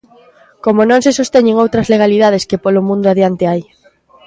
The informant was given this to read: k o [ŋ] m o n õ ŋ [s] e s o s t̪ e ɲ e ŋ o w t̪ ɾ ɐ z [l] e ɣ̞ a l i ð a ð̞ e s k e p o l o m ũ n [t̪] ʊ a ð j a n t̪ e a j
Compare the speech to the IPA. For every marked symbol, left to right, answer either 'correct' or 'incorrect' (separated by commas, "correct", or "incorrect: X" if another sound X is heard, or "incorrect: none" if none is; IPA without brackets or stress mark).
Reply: incorrect: none, correct, correct, incorrect: d̪